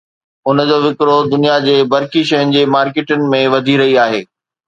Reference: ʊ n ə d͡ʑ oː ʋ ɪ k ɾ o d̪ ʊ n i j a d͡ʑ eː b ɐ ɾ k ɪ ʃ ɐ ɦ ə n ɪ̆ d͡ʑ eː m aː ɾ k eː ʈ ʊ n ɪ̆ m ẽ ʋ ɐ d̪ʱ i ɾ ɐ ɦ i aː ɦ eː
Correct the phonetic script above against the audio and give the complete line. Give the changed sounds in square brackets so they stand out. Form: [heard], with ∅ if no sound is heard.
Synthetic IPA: ʊ n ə d͡ʑ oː ʋ ɪ k ɾ o d̪ ʊ n i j a d͡ʑ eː b ɐ ɾ k [i] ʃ ɐ ɦ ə n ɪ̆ d͡ʑ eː m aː ɾ k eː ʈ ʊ n ɪ̆ m ẽ ʋ ɐ d̪ʱ i ɾ ɐ ɦ i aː ɦ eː